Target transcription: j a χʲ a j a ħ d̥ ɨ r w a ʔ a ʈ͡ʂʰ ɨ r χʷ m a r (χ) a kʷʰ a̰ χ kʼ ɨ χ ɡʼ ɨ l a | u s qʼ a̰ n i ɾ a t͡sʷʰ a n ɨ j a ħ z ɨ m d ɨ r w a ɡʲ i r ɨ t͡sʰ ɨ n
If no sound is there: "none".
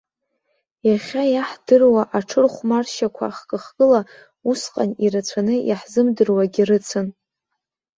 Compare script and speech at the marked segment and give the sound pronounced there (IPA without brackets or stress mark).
ʃ